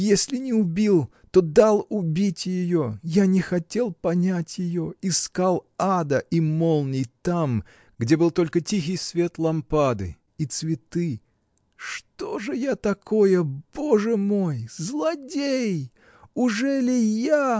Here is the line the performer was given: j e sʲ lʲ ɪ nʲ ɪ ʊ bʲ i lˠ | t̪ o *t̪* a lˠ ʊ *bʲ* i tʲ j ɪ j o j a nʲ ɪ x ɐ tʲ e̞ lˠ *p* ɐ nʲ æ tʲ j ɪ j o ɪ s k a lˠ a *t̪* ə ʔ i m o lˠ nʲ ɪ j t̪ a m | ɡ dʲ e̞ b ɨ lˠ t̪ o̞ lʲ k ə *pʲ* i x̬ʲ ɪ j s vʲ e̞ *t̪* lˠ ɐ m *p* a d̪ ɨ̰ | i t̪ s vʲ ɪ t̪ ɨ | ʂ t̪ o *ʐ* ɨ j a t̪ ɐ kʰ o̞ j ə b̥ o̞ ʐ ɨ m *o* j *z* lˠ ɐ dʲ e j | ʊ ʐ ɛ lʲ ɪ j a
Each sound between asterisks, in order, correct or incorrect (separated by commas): incorrect, correct, correct, incorrect, incorrect, correct, correct, correct, correct, correct